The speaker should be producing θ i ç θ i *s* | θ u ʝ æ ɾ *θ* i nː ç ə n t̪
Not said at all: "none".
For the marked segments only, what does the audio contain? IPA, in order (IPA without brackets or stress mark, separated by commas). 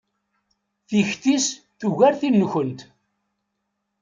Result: s, θ